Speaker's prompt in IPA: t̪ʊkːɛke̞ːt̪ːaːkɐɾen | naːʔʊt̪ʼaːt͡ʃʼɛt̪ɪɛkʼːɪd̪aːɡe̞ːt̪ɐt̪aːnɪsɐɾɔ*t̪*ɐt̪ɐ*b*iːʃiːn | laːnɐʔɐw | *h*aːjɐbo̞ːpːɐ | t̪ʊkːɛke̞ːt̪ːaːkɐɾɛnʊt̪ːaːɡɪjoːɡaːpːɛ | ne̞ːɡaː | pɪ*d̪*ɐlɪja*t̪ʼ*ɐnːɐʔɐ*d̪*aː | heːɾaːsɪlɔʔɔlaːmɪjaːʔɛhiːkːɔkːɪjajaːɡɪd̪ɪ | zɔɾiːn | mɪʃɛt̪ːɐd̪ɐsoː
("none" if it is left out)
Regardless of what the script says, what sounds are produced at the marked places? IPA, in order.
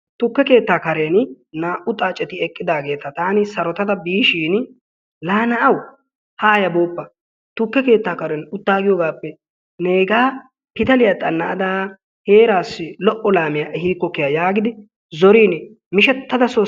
t̪, b, h, t̪, t̪ʼ, d̪

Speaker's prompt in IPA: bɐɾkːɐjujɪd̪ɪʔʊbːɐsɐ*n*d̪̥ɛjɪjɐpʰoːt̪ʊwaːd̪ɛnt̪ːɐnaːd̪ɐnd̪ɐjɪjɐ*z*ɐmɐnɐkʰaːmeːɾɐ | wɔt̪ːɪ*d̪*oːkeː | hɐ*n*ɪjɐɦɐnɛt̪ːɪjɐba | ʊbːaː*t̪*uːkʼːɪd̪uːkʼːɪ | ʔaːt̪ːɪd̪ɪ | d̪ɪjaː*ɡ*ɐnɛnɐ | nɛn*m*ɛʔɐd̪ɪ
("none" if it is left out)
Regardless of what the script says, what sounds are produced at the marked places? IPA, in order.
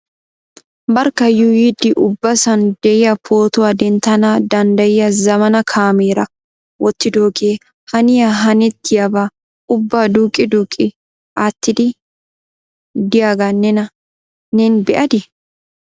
n, z, d̪, n, d̪, ɡ, b

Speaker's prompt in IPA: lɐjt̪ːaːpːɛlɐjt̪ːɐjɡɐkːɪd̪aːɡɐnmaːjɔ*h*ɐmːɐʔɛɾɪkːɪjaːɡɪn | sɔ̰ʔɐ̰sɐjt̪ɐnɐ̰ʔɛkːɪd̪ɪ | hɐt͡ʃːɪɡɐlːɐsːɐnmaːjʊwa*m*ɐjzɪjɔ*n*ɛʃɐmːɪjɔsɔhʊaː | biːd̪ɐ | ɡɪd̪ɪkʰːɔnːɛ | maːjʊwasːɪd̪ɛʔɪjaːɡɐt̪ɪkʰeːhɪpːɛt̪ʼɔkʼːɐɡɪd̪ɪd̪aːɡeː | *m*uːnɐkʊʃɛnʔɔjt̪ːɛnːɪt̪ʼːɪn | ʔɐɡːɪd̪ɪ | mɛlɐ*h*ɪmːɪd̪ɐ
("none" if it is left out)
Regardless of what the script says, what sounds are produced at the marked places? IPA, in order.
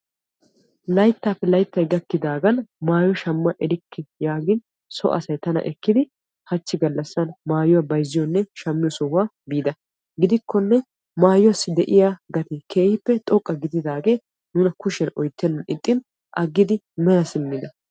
ʃ, b, nː, n, s

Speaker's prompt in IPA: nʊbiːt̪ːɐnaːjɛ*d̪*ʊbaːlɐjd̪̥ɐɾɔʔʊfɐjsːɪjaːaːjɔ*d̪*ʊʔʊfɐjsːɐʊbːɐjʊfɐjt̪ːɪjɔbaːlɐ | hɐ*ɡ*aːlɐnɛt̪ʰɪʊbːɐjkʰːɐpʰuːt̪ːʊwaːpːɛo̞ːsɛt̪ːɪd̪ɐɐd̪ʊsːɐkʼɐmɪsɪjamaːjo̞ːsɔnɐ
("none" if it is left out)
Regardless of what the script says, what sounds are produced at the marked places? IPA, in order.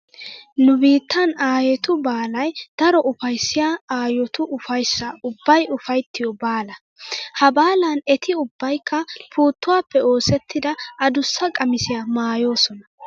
t̪, t̪, b

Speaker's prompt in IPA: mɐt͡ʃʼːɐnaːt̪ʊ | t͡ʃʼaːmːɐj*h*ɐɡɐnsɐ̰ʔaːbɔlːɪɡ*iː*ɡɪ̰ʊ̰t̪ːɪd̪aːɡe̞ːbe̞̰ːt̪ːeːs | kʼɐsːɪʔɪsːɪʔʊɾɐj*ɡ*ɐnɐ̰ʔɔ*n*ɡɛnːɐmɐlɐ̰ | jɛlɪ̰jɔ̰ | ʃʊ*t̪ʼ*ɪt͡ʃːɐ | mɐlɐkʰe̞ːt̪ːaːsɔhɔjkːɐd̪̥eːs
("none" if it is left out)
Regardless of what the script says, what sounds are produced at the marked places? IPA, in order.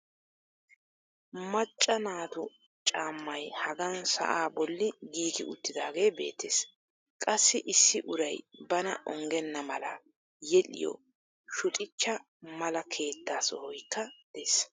h, iː, b, ŋ, t̪ʼ

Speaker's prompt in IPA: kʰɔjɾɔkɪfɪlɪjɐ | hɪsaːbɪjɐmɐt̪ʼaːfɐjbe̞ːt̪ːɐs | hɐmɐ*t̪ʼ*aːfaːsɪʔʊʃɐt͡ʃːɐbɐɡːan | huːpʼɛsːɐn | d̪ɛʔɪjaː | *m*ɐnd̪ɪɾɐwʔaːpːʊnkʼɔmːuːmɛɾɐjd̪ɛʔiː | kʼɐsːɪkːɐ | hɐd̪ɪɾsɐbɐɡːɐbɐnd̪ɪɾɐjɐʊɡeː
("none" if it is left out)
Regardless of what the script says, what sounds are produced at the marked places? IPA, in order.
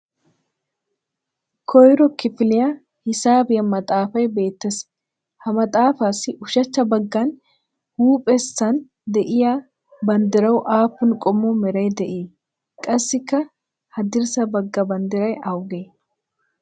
t̪ʼ, b

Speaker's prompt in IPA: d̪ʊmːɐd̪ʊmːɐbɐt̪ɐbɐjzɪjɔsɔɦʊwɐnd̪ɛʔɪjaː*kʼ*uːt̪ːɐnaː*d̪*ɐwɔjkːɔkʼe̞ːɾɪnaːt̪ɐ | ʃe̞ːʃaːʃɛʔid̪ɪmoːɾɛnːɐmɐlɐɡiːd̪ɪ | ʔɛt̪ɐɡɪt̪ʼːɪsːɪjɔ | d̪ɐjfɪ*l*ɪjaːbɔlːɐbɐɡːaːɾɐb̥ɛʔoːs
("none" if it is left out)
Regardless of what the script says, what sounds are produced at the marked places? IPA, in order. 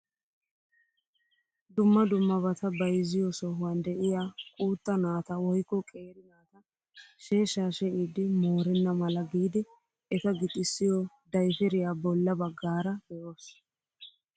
kʼ, t̪, ɾ

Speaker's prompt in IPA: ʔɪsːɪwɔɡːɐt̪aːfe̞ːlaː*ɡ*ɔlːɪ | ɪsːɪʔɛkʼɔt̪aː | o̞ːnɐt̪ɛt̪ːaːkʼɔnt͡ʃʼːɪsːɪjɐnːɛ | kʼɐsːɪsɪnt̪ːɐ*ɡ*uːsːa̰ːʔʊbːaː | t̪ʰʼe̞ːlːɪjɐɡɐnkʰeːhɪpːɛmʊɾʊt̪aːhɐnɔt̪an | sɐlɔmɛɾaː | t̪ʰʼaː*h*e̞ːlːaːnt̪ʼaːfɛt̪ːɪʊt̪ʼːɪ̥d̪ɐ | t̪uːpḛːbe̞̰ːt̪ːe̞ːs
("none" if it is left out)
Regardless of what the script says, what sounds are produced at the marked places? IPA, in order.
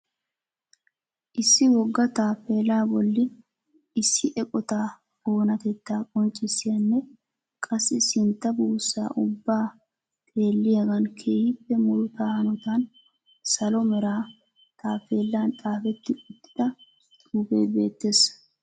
b, b, f

